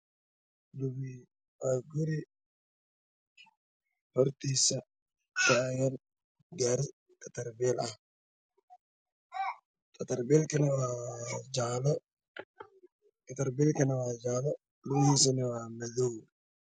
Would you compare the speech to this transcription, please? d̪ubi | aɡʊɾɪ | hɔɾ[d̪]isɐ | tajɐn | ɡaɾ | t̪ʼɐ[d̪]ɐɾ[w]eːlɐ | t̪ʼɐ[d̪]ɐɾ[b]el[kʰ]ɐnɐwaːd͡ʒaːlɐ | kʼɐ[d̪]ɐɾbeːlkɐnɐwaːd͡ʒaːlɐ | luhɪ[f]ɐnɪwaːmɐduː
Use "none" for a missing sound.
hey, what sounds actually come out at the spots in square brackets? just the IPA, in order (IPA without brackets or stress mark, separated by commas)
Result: t̪, t̪, b, t̪, b, k, t̪, s